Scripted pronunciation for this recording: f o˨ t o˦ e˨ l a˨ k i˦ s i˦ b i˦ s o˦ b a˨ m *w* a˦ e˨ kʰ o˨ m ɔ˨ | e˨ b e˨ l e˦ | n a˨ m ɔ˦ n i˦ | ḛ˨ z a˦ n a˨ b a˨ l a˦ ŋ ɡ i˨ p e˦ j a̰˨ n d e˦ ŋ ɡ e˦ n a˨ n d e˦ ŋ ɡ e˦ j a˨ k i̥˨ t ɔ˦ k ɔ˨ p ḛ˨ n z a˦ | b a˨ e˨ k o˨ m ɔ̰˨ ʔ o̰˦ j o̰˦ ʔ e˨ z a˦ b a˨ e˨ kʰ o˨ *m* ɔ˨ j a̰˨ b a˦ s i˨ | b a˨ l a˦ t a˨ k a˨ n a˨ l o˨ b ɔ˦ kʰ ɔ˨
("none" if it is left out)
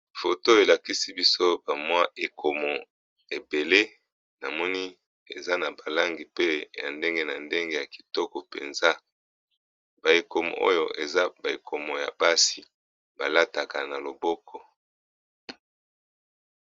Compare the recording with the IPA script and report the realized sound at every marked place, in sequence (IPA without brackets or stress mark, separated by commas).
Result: w, m